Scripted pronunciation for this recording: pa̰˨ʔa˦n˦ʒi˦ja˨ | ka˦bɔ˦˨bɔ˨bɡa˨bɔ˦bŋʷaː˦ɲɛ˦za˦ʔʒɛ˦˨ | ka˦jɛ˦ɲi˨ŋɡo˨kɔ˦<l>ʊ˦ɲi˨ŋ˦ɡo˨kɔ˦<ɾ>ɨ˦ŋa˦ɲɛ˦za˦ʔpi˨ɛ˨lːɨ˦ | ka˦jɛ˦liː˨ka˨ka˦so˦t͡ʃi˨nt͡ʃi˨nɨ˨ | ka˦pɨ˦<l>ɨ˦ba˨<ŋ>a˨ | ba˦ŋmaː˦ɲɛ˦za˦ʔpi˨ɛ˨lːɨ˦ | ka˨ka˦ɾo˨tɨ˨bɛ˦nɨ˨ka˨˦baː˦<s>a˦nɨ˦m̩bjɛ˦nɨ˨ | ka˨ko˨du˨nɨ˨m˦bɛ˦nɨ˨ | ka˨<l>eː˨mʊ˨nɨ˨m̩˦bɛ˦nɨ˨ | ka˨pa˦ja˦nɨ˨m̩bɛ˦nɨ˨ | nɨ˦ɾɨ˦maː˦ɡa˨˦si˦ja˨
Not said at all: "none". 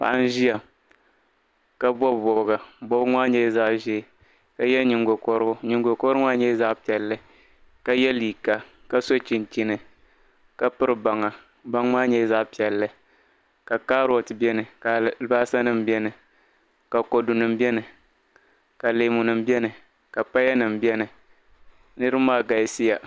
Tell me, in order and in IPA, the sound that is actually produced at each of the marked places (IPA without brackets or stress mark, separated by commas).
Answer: ɾ, ɾ, ɾ, ŋ, s, l